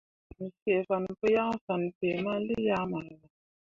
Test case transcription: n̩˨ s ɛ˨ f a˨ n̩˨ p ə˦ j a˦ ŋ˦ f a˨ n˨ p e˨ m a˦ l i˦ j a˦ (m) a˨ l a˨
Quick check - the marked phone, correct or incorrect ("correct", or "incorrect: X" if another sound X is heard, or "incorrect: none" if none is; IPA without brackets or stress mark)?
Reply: correct